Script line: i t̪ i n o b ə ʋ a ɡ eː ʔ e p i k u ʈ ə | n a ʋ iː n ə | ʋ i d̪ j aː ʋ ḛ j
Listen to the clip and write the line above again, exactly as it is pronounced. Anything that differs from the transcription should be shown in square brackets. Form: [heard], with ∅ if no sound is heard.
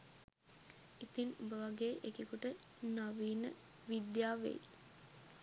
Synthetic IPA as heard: i t̪ i n [u] b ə ʋ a ɡ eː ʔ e [k] i k u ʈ ə | n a ʋ iː n ə | ʋ i d̪ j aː ʋ ḛ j